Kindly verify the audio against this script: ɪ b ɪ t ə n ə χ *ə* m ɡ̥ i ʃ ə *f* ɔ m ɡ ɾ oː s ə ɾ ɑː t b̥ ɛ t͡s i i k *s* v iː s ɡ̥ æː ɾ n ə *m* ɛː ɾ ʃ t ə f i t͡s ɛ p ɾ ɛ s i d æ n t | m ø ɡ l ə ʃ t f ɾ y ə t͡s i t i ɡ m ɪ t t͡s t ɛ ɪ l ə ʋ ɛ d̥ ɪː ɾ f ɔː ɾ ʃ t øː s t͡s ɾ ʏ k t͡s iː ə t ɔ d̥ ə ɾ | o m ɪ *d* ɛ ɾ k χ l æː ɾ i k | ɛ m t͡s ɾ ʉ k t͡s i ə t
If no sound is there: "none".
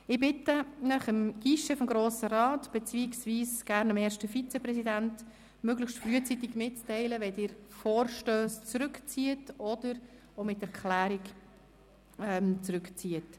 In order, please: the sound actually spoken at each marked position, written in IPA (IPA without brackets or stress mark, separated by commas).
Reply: ə, f, s, m, t